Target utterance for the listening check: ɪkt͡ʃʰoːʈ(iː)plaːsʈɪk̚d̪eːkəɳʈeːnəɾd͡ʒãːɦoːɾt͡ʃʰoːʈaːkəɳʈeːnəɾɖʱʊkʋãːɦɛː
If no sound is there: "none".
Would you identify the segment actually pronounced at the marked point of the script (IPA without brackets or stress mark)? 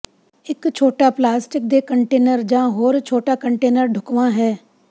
aː